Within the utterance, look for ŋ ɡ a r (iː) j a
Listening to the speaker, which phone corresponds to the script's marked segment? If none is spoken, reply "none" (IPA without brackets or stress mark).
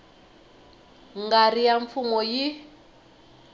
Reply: i